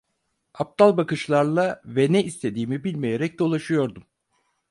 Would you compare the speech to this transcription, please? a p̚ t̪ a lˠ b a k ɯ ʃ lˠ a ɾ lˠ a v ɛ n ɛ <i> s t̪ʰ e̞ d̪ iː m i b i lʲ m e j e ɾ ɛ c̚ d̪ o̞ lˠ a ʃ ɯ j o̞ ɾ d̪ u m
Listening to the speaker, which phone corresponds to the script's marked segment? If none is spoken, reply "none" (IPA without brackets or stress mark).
i